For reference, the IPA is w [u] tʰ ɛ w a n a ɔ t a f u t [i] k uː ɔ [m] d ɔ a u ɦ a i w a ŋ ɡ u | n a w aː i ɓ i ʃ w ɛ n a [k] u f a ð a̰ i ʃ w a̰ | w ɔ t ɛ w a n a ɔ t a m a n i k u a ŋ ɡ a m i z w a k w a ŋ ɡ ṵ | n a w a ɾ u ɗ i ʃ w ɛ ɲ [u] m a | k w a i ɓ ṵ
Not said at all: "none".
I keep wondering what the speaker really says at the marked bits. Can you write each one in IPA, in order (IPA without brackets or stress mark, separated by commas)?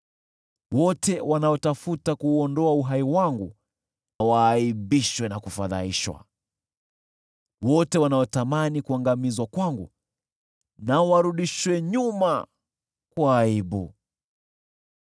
ɔ, a, n, k, u